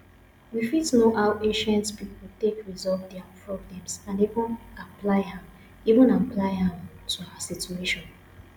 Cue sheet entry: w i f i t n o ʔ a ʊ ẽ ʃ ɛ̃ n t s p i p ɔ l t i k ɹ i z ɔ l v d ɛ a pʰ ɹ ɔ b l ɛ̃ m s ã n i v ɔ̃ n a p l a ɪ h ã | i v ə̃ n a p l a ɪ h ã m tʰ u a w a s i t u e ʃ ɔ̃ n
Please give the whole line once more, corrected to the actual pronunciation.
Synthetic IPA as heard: w i f i t n o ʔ a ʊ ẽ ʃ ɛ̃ n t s p i p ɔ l t e k ɹ i z ɔ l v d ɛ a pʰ ɹ ɔ b l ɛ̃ m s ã n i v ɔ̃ n a p l a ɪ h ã | i v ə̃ n a p l a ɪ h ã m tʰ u a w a s i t u e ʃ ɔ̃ n